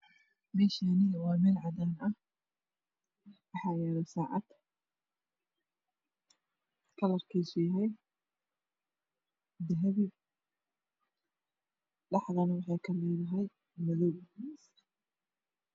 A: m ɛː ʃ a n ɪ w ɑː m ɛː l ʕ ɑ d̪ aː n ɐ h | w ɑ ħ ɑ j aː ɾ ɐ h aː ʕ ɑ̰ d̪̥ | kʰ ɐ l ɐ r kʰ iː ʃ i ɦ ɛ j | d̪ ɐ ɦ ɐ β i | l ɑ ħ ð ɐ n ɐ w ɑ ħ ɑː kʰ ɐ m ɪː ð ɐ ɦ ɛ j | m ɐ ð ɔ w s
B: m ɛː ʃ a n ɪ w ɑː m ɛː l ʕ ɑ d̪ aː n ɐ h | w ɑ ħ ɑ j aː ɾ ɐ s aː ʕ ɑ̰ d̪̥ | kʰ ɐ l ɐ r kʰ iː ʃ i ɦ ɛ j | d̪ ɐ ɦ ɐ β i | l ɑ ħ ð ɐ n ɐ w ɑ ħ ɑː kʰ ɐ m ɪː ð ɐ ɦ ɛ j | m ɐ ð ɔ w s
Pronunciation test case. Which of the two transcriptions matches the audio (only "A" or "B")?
B